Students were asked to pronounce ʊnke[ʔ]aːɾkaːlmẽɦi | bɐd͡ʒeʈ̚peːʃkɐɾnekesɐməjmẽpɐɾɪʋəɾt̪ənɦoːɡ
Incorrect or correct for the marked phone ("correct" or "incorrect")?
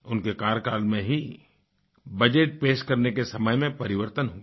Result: incorrect